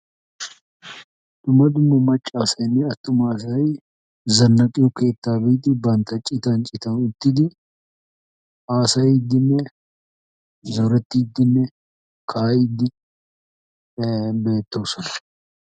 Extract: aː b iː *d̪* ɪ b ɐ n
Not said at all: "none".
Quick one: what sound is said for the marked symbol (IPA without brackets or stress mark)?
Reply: t̪